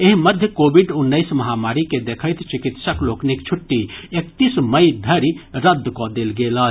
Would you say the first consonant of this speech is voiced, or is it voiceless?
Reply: voiced